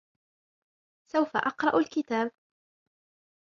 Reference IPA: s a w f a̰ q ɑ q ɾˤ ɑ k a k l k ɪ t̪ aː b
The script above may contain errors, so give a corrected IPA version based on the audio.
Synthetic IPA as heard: s a w f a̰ ʔ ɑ q ɾˤ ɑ ʔ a l k ɪ t̪ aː b